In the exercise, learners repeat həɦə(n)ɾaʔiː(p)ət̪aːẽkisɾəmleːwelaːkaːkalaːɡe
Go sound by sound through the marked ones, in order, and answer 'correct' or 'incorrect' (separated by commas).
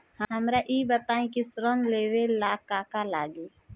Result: incorrect, incorrect